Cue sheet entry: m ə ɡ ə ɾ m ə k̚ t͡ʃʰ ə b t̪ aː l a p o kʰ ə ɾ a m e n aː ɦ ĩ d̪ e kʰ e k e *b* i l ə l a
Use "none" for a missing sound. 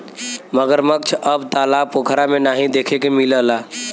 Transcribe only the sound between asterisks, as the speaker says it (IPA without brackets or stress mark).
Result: m